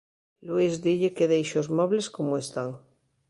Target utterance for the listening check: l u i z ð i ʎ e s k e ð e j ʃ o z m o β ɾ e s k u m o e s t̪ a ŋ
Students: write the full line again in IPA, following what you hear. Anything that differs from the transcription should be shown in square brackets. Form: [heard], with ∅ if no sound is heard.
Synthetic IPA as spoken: l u i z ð i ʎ e [∅] k e ð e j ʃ o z m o β [l] e s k [o] m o e s t̪ a ŋ